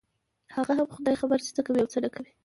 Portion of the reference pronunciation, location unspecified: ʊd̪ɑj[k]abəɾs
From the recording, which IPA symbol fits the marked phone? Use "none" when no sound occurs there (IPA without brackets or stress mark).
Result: x